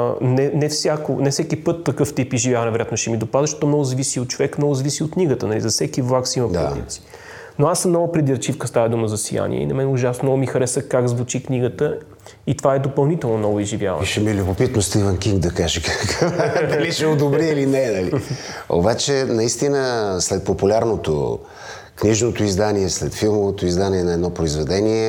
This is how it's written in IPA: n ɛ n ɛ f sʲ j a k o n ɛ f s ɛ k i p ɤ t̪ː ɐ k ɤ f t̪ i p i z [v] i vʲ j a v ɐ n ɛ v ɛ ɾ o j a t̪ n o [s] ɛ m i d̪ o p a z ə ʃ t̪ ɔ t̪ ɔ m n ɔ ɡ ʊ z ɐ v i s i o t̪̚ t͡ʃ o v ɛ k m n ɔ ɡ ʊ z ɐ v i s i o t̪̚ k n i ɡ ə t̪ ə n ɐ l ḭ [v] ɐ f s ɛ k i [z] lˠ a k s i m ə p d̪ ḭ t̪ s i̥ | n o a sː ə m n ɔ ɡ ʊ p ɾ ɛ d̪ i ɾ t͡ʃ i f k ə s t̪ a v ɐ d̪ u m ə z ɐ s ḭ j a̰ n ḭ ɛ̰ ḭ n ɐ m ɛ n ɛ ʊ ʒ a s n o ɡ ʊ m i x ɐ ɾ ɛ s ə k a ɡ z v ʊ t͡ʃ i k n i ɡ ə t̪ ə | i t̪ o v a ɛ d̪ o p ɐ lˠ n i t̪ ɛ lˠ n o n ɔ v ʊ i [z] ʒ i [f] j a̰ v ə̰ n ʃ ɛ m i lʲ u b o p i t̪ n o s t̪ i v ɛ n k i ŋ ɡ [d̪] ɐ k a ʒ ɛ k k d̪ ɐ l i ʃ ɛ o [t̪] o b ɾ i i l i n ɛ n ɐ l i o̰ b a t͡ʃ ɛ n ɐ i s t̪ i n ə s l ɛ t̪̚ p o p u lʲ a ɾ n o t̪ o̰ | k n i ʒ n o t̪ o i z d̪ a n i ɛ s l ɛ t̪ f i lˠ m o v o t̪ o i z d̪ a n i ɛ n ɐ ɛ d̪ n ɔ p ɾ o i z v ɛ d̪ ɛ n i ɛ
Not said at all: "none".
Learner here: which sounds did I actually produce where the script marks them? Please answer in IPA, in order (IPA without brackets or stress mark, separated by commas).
ʒ, ʃ, z, v, z, v, d̪, d̪